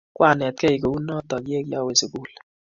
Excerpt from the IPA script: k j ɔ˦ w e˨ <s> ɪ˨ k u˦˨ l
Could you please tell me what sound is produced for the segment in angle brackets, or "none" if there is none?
s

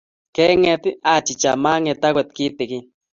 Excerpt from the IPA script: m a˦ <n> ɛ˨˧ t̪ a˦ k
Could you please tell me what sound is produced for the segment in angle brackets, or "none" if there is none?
ŋ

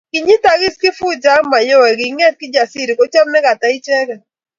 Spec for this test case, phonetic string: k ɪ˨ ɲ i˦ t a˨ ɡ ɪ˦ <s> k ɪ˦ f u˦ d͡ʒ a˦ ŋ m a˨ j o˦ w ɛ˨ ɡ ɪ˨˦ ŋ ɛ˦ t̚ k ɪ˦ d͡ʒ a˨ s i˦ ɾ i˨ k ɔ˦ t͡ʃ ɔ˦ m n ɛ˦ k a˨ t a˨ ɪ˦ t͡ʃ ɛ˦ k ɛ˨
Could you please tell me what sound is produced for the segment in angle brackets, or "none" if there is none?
s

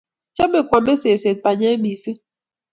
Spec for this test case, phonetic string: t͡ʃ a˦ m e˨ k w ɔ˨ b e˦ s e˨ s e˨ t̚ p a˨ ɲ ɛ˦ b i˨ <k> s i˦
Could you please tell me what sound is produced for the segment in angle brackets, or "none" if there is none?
none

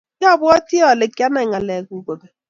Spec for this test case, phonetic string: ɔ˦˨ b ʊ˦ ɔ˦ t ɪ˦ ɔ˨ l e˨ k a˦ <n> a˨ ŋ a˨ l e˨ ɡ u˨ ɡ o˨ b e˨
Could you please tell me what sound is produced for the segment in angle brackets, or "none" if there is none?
n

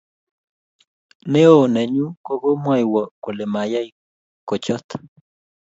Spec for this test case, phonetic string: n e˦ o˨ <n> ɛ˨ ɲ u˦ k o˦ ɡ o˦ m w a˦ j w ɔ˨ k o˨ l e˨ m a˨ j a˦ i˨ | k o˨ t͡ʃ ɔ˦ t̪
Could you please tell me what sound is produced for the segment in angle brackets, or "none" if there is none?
n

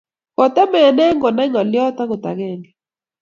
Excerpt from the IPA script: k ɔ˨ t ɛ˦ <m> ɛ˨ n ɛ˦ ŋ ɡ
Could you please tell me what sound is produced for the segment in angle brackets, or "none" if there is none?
m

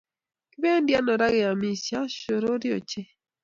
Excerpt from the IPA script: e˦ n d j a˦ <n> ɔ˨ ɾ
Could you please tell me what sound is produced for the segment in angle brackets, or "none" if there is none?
n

